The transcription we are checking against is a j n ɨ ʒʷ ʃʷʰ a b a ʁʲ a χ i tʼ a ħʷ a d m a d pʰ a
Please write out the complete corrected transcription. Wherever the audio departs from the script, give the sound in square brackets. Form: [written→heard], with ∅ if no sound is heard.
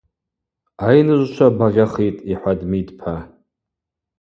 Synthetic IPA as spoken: a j n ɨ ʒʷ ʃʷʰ a b a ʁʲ a χ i tʼ [a→i] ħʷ a d m [a→i] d pʰ a